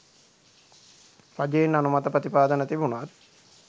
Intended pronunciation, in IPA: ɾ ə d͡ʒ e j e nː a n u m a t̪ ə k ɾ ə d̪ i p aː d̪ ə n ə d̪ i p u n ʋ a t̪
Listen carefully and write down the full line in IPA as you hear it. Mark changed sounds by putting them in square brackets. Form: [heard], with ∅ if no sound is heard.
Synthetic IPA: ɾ [a] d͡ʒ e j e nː a n u m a t̪ ə [p] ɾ ə [t̪] i p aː d̪ ə n ə [t̪] i [b] u n ʋ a t̪